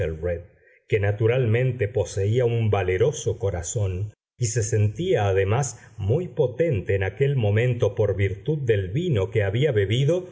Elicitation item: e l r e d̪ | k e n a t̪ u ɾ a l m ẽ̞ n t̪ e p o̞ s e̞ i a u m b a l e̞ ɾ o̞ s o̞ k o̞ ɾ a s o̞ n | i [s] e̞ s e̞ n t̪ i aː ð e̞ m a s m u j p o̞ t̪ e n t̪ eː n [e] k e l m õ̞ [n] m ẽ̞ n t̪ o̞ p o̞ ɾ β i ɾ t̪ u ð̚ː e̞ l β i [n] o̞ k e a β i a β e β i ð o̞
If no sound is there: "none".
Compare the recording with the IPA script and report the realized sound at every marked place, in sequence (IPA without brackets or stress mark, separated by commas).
s, a, none, n